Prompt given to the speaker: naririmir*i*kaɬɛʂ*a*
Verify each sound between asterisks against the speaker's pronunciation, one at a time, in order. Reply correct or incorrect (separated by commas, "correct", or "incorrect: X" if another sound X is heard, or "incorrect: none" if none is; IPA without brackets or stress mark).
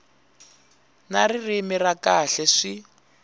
incorrect: a, incorrect: i